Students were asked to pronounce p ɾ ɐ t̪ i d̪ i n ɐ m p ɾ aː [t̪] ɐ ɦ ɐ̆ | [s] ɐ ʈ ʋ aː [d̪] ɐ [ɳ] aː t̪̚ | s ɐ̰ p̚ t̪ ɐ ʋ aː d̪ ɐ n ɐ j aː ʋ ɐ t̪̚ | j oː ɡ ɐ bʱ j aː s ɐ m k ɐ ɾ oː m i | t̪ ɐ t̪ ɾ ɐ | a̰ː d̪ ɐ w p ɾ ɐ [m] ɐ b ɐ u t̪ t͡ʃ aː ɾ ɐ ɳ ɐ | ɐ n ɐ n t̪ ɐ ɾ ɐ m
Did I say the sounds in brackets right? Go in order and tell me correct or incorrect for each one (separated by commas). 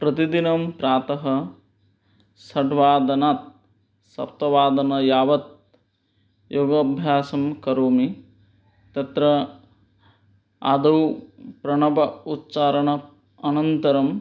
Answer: correct, correct, correct, incorrect, incorrect